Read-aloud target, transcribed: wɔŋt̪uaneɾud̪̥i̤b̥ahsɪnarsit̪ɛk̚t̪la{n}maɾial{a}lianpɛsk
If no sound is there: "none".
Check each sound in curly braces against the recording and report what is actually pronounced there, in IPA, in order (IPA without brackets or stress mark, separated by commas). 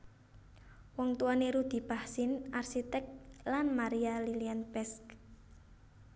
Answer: n, i